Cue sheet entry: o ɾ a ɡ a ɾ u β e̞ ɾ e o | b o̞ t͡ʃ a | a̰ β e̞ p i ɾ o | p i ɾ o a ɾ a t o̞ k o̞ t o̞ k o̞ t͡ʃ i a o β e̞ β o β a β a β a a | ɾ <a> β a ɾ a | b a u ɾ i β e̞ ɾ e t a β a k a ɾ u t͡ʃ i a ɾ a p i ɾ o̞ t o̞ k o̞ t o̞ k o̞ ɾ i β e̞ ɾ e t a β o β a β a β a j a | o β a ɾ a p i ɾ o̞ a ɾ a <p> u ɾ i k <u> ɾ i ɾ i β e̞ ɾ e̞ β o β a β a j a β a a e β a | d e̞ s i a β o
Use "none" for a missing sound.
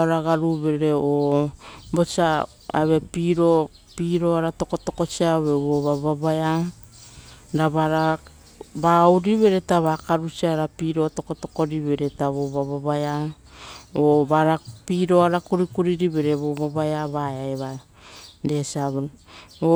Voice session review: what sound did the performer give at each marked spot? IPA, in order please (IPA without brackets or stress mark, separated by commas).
a, k, u